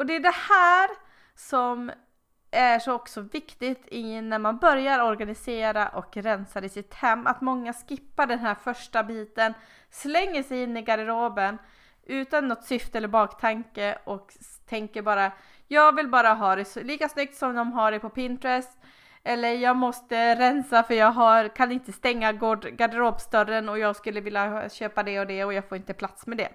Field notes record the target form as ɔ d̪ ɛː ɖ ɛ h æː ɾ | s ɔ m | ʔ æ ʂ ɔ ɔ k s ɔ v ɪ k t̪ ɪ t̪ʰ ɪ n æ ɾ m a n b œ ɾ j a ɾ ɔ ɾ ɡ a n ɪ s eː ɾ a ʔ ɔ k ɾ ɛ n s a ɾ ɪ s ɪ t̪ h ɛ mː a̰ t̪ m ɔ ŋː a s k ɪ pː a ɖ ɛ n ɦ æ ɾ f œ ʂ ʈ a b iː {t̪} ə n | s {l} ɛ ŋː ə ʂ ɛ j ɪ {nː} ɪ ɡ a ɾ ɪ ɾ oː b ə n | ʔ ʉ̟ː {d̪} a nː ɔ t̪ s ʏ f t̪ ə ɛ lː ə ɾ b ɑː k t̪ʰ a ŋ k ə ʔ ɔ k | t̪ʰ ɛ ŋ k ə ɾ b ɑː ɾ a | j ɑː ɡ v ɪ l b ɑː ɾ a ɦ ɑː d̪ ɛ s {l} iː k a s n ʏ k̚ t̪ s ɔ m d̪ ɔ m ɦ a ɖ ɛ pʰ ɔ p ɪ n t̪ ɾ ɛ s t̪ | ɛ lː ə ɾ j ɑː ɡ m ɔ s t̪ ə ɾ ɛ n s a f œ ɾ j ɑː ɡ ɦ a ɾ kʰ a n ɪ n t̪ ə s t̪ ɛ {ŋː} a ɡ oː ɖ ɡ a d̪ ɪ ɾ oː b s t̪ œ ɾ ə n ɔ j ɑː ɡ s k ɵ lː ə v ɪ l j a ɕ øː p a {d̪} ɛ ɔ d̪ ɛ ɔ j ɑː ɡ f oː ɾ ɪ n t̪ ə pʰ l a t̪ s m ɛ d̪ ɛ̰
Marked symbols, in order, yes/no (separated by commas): yes, yes, yes, no, yes, yes, yes